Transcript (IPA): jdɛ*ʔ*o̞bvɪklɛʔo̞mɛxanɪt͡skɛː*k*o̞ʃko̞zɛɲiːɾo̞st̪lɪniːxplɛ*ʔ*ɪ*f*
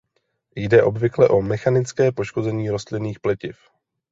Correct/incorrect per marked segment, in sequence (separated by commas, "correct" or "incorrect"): correct, incorrect, incorrect, correct